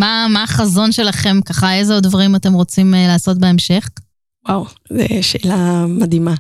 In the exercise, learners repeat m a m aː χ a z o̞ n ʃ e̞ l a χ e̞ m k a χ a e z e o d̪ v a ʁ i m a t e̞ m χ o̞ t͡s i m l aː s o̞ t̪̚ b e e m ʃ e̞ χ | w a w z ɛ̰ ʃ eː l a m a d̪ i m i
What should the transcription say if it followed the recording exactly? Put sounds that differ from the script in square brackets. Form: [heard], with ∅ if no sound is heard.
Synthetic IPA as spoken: m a m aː χ a z o̞ n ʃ e̞ l a χ e̞ m k a χ a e z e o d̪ v a ʁ i m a t e̞ m [ʁ] o̞ t͡s i m l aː s o̞ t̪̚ b e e m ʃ e̞ χ | w a w z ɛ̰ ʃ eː l a m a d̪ i m [a]